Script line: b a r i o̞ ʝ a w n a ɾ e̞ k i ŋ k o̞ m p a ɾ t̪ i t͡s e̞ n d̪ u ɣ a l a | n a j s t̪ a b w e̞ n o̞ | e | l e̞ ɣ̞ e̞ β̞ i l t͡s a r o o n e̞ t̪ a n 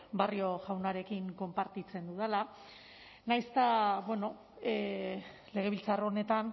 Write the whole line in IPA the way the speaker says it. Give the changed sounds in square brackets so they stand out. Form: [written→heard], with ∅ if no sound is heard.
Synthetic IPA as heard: b a r i o̞ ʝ a w n a ɾ e̞ k i ŋ k o̞ m p a ɾ t̪ i t͡s e̞ n d̪ u [ɣ→ð] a l a | n a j s t̪ a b w e̞ n o̞ | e | l e̞ ɣ̞ e̞ β̞ i l t͡s a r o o n e̞ t̪ a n